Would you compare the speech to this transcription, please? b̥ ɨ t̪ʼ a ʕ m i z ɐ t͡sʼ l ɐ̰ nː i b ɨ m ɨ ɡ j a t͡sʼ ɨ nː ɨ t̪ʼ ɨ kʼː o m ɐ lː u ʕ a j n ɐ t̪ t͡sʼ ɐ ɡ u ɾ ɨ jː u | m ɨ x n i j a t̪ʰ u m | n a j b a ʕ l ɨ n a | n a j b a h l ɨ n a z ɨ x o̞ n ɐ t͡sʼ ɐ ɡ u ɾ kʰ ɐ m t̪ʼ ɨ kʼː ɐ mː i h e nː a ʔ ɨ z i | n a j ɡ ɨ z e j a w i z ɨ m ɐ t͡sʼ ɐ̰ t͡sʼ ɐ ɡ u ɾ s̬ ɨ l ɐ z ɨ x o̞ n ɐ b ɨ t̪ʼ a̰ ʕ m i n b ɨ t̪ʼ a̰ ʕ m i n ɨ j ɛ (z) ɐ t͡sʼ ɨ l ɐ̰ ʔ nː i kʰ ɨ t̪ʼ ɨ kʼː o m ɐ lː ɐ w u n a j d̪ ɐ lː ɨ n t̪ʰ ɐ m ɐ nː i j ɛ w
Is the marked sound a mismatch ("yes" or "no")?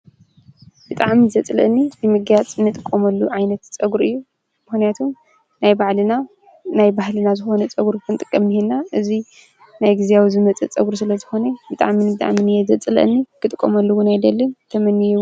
no